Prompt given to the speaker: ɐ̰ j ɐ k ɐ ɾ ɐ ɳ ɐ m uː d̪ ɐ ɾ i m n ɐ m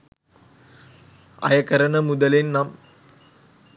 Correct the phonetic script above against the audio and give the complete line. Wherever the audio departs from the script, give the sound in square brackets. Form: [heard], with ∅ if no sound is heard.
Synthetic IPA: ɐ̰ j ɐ k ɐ ɾ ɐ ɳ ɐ m [u] d̪ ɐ [l] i [n] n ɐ m